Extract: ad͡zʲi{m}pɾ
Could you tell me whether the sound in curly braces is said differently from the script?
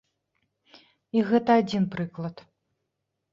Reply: yes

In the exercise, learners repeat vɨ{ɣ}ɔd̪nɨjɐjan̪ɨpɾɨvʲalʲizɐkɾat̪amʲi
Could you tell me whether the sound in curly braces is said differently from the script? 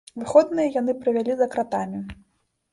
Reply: yes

